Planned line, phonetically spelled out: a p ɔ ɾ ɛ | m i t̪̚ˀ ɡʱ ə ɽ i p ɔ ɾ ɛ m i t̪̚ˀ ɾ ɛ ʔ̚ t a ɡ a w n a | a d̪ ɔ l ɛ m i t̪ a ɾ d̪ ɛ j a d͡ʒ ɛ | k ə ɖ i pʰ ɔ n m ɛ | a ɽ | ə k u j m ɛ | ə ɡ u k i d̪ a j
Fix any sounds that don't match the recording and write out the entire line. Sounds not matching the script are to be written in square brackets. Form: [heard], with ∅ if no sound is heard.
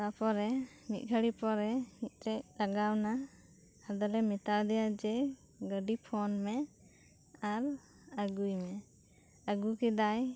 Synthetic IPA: a p ɔ ɾ ɛ | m i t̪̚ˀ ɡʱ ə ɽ i p ɔ ɾ ɛ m i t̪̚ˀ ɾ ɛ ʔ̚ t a ɡ a w n a | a d̪ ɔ l ɛ m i t̪ a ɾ d̪ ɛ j a d͡ʒ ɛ | [ɡ] ə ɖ i pʰ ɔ n m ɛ | a [ɾ] | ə [ɡ] u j m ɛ | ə ɡ u k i d̪ a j